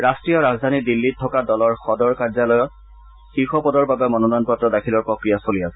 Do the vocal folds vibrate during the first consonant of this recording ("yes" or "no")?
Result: yes